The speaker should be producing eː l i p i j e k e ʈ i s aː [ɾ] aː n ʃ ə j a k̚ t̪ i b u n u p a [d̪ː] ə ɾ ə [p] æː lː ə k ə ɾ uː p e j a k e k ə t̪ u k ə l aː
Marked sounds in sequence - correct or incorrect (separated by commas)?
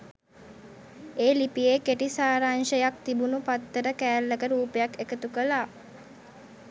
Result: correct, incorrect, incorrect